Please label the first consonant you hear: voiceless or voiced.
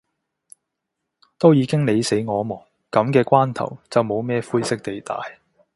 voiceless